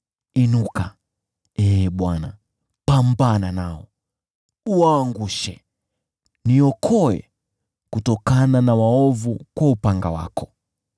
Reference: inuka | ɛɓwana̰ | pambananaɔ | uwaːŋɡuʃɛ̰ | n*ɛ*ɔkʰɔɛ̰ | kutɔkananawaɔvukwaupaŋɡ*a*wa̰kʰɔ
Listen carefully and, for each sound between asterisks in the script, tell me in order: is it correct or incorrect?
incorrect: i, correct

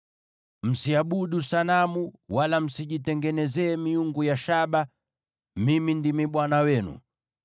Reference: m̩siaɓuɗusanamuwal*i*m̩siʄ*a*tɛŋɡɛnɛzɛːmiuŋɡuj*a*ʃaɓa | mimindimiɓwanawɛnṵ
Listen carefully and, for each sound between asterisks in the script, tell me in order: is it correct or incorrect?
incorrect: a, incorrect: i, correct

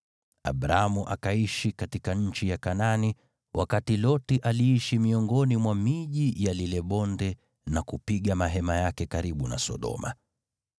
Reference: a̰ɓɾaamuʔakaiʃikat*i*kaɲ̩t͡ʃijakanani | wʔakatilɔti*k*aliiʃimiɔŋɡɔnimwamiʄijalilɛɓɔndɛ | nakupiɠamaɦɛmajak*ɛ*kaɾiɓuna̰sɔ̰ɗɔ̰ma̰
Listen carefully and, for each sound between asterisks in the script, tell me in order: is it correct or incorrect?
correct, incorrect: ʔ, correct

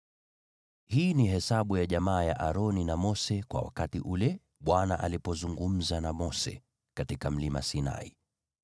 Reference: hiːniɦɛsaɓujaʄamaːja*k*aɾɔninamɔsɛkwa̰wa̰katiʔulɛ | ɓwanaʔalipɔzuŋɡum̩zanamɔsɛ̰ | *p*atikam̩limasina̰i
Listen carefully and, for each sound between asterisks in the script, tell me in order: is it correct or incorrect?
incorrect: ʔ, incorrect: k

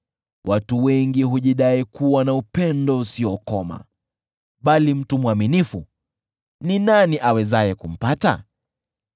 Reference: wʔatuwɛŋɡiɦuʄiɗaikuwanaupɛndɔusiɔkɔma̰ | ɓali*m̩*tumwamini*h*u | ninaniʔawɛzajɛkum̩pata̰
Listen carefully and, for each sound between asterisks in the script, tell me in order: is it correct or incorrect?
correct, incorrect: f

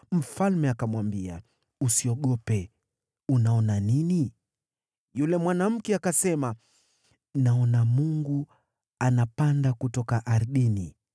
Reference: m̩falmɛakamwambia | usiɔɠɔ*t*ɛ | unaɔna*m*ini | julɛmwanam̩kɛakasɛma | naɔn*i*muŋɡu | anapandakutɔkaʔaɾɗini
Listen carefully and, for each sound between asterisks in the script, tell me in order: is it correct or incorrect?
incorrect: p, incorrect: n, incorrect: a

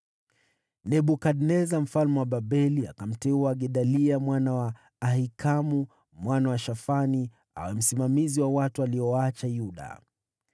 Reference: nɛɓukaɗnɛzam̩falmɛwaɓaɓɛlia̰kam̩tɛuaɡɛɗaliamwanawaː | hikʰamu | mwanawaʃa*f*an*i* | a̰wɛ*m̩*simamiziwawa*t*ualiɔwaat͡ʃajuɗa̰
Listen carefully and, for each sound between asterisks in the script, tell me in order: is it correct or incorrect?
correct, correct, correct, correct

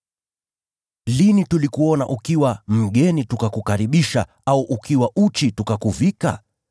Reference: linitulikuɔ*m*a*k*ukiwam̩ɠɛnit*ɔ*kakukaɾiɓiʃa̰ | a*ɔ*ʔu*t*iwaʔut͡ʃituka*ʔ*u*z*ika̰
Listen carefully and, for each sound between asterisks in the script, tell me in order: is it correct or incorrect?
incorrect: n, incorrect: ʔ, incorrect: u, incorrect: u, incorrect: k, incorrect: k, incorrect: v

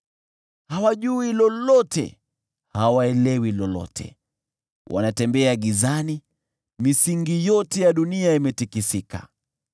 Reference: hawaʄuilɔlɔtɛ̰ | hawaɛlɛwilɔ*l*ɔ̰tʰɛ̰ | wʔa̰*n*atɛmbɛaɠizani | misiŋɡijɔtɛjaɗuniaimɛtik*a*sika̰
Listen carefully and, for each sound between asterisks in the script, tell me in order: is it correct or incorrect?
correct, correct, incorrect: i

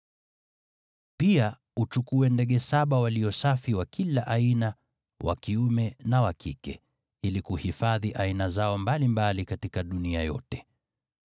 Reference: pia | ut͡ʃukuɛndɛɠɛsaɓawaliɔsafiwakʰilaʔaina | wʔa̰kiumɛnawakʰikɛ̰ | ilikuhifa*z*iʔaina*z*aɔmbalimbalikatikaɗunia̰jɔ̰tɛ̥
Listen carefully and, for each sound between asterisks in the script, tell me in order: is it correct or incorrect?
incorrect: ð, correct

